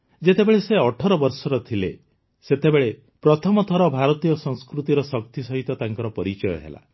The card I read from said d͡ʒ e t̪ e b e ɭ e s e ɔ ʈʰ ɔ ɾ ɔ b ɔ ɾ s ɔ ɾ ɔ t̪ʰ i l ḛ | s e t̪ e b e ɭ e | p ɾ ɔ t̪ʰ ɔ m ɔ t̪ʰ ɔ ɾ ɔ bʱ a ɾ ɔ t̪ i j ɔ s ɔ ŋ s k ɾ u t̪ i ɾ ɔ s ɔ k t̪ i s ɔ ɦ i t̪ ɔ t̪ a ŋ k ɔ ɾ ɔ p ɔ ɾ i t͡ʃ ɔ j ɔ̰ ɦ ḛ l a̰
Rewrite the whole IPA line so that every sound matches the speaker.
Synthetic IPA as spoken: d͡ʒ e t̪ e b e ɭ e s e ɔ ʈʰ ɔ ɾ ɔ b ɔ ɾ s ɔ ɾ ɔ t̪ʰ i l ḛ | s e t̪ e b e ɭ e | p ɾ ɔ t̪ʰ ɔ m ɔ t̪ʰ ɔ ɾ ɔ bʱ a ɾ ɔ t̪ i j ɔ s ɔ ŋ s k ɾ u t̪ i ɾ ɔ s ɔ k t̪ i s ɔ ɦ i t̪ ɔ t̪ a ŋ k ɔ ɾ ɔ p ɔ ɾ i t͡ʃ ɔ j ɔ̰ ɦ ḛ l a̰

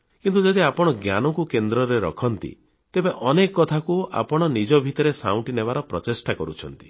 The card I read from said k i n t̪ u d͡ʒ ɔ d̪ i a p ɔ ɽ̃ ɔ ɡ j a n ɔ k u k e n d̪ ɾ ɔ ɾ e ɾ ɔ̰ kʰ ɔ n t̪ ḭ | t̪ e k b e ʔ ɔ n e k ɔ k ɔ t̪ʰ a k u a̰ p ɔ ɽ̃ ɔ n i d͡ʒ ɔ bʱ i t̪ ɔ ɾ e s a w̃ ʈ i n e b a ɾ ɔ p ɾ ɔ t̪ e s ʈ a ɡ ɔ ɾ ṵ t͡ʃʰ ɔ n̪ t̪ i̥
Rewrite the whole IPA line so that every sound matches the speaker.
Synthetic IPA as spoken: k i n t̪ u d͡ʒ ɔ d̪ i a p ɔ ɽ̃ ɔ ɡ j a n ɔ k u k e n d̪ ɾ ɔ ɾ e ɾ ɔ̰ kʰ ɔ n t̪ ḭ | t̪ e b e ʔ ɔ n e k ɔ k ɔ t̪ʰ a k u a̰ p ɔ ɽ̃ ɔ n i d͡ʒ ɔ bʱ i t̪ ɔ ɾ e s a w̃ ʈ i n e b a ɾ ɔ p ɾ ɔ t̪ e s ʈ a k ɔ ɾ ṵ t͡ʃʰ ɔ n̪ t̪ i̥

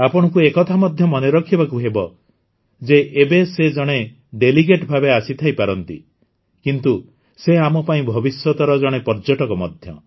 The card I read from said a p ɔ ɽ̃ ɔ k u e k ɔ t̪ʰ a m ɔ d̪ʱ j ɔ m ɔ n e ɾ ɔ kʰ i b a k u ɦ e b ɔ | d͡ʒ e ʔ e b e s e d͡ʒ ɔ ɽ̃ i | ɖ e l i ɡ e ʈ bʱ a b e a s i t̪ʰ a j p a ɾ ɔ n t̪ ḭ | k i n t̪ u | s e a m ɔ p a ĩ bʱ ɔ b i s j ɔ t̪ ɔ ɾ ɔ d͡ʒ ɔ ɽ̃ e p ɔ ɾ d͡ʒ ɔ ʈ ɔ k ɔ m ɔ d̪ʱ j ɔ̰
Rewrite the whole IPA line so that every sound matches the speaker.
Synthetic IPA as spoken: a p ɔ ɽ̃ ɔ k u e k ɔ t̪ʰ a m ɔ d̪ʱ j ɔ m ɔ n e ɾ ɔ kʰ i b a k u ɦ e b ɔ | d͡ʒ e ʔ e b e s e d͡ʒ ɔ ɽ̃ e | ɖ e l i ɡ e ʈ bʱ a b e a s i t̪ʰ a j p a ɾ ɔ n t̪ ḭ | k i n t̪ u | s e a m ɔ p a ĩ bʱ ɔ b i s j ɔ t̪ ɔ ɾ ɔ d͡ʒ ɔ ɽ̃ e p ɔ ɾ d͡ʒ ɔ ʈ ɔ k ɔ m ɔ d̪ʱ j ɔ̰

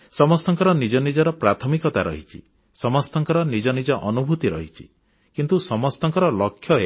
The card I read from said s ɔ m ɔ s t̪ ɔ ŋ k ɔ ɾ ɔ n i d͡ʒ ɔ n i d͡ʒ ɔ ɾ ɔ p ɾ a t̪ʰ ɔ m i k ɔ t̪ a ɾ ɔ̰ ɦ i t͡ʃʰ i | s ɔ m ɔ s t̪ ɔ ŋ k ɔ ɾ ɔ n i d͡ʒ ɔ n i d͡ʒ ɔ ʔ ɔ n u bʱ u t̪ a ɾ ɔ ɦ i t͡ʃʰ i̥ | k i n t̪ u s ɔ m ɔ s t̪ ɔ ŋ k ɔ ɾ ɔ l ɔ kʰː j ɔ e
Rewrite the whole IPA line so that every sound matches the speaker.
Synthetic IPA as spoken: s ɔ m ɔ s t̪ ɔ ŋ k ɔ ɾ ɔ n i d͡ʒ ɔ n i d͡ʒ ɔ ɾ ɔ p ɾ a t̪ʰ ɔ m i k ɔ t̪ a ɾ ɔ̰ ɦ i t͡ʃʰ i | s ɔ m ɔ s t̪ ɔ ŋ k ɔ ɾ ɔ n i d͡ʒ ɔ n i d͡ʒ ɔ ʔ ɔ n u bʱ u t̪ i ɾ ɔ ɦ i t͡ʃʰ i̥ | k i n t̪ u s ɔ m ɔ s t̪ ɔ ŋ k ɔ ɾ ɔ l ɔ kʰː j ɔ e

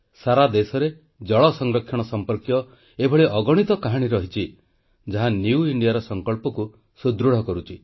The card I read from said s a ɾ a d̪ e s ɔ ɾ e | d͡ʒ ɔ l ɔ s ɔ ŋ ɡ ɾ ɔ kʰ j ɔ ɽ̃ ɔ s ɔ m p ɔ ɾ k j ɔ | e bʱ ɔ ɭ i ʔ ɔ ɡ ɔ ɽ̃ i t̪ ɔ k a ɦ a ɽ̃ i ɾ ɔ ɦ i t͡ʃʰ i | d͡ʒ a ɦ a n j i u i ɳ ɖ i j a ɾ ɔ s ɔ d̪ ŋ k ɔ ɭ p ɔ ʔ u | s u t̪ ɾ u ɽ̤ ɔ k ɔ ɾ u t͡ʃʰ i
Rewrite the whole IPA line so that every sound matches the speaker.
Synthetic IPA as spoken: s a ɾ a d̪ e s ɔ ɾ e | d͡ʒ ɔ ɭ ɔ s ɔ ŋ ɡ ɾ ɔ kʰ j ɔ ɽ̃ ɔ s ɔ m p ɔ ɾ k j ɔ | e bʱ ɔ ɭ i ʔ ɔ ɡ ɔ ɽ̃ i t̪ ɔ k a ɦ a ɽ̃ i ɾ ɔ ɦ i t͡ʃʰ i | d͡ʒ a ɦ a n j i u i ɳ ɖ i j a ɾ ɔ s ɔ ŋ k ɔ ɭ p ɔ k u | s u d̪ ɾ u ɽ̤ ɔ k ɔ ɾ u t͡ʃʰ i

